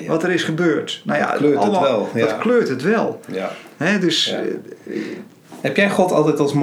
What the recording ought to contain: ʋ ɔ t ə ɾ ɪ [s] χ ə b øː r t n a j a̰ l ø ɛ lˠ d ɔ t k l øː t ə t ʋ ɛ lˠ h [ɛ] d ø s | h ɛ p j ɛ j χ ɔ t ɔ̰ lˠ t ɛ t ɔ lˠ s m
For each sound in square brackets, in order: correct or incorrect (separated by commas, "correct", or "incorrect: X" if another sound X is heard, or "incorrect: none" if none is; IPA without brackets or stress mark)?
correct, correct